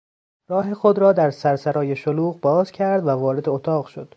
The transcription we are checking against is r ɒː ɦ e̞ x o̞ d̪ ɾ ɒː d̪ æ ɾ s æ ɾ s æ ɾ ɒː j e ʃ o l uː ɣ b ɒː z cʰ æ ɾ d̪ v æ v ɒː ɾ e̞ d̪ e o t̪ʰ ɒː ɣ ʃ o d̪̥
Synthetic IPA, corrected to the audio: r ɒː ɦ e̞ x o̞ d̪ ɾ ɒː d̪ æ ɾ s æ ɾ s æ ɾ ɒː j e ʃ o l uː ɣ b ɒː z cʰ æ ɾ d̪ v æ v ɒː ɾ e̞ d̪ e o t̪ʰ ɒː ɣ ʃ o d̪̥